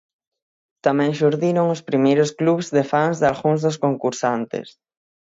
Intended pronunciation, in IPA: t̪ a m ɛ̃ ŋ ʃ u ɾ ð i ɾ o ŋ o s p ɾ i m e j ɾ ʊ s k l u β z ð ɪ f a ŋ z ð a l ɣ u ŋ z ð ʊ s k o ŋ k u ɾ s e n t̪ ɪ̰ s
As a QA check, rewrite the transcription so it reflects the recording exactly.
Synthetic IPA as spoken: t̪ a m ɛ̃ ŋ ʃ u ɾ ð i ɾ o ŋ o s p ɾ i m e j ɾ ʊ s k l u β z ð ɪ f a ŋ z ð a l ɣ u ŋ z ð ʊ s k o ŋ k u ɾ s a n t̪ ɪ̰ s